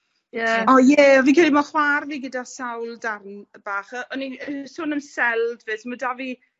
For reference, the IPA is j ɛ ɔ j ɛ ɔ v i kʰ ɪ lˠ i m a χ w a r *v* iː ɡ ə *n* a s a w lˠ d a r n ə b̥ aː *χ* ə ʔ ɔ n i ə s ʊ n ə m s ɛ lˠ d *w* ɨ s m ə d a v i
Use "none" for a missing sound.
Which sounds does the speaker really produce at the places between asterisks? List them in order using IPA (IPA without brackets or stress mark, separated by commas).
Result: v, d, χ, v